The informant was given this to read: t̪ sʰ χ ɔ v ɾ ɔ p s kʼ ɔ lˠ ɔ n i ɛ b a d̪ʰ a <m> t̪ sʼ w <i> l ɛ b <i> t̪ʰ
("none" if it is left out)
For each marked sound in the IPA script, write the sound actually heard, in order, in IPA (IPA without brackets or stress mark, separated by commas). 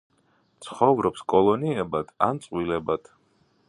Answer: n, i, a